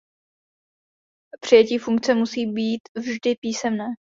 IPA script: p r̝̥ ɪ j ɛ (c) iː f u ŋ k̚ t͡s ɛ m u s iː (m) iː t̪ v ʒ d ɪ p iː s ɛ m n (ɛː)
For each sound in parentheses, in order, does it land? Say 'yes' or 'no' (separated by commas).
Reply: yes, no, yes